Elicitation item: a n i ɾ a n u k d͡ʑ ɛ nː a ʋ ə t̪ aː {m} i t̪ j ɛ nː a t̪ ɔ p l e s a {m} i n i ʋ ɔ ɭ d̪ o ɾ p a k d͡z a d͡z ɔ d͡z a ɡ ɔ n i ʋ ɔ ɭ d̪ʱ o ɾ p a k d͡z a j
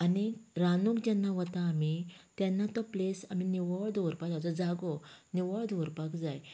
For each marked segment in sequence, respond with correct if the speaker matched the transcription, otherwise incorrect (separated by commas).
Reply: correct, correct